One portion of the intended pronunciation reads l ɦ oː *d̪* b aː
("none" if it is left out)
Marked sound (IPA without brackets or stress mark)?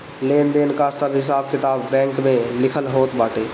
t̪